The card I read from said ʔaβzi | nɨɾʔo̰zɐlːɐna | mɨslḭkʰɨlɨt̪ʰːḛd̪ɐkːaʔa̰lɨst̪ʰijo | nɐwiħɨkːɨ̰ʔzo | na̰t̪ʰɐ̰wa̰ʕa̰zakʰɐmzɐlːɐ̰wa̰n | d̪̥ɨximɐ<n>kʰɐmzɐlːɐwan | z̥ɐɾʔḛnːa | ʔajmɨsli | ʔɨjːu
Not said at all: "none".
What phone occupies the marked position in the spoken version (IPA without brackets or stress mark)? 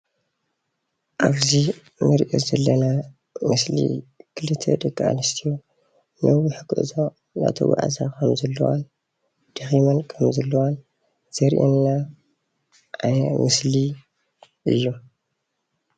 n